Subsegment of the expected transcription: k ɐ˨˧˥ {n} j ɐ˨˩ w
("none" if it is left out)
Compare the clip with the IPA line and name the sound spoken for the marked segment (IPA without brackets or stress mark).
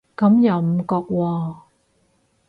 m